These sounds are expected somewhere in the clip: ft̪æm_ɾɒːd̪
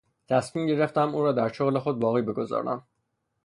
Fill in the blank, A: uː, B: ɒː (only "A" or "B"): A